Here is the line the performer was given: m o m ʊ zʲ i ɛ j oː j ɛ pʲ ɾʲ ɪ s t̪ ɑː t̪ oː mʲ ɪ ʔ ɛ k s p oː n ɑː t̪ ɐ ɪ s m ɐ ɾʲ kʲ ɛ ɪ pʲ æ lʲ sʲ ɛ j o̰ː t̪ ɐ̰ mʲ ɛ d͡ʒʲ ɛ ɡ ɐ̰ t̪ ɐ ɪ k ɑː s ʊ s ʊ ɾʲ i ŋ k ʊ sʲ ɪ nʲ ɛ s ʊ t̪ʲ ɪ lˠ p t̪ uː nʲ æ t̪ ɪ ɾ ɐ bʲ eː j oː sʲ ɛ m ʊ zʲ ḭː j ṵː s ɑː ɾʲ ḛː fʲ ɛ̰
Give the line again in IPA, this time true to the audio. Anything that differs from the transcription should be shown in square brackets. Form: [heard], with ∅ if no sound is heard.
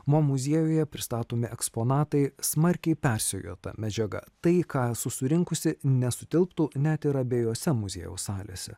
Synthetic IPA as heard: m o m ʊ zʲ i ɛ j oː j ɛ pʲ ɾʲ ɪ s t̪ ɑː t̪ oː mʲ ɪ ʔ ɛ k s p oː n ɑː t̪ ɐ ɪ s m ɐ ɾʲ kʲ ɛ ɪ pʲ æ [ɾʲ] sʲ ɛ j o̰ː t̪ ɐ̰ mʲ ɛ d͡ʒʲ ɛ ɡ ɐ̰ t̪ ɐ ɪ k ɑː s ʊ s ʊ ɾʲ [ɪ] ŋ k ʊ sʲ ɪ nʲ ɛ s ʊ t̪ʲ ɪ lˠ p t̪ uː nʲ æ t̪ ɪ ɾ ɐ bʲ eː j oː sʲ ɛ m ʊ zʲ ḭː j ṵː s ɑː [lʲ] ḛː [sʲ] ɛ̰